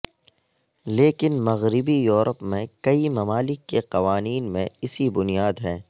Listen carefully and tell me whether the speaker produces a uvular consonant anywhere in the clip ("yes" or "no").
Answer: yes